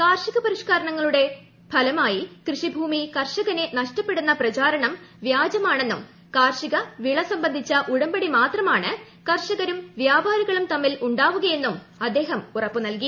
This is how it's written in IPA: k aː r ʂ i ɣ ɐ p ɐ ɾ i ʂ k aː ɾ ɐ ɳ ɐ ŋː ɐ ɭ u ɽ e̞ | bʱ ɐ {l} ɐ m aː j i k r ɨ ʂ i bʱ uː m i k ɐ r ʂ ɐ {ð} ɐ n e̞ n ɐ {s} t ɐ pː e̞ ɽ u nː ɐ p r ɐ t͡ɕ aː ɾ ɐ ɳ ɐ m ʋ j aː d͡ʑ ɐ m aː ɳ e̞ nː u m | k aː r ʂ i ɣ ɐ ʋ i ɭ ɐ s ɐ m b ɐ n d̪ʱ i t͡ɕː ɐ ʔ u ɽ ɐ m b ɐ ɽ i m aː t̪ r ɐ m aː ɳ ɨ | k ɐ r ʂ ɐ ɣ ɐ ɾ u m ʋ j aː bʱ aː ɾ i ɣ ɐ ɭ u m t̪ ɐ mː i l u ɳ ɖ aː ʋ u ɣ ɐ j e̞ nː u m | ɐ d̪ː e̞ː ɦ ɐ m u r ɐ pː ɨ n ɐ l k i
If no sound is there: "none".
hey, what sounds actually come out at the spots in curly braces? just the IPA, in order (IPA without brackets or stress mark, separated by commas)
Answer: l, ɣ, ʂ